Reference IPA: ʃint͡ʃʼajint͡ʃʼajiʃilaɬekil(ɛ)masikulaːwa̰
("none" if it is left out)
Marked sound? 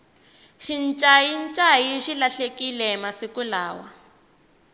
ɛ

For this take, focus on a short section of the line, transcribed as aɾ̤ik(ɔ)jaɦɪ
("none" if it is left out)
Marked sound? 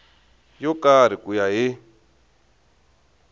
u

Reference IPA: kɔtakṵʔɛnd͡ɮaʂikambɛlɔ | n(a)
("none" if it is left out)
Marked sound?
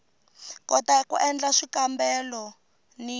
i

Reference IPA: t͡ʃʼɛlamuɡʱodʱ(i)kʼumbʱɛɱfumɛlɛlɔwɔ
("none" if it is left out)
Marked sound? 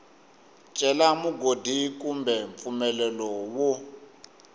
i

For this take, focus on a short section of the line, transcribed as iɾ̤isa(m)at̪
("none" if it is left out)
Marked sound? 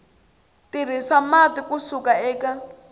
m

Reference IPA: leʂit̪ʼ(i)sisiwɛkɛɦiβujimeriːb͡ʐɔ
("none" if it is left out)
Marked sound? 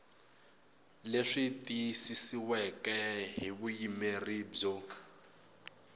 i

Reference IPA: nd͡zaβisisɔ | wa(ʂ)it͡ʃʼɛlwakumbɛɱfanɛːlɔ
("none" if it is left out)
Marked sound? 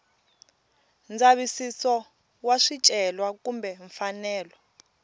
ʂ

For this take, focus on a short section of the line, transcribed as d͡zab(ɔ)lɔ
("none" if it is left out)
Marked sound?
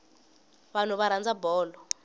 ɔː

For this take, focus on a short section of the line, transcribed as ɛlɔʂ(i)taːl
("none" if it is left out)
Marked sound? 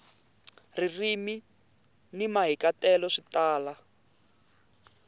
i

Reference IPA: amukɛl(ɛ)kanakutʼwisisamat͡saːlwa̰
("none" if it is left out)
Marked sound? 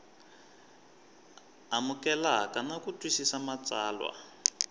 a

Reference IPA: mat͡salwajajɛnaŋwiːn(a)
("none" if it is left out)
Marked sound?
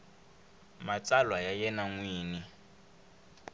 i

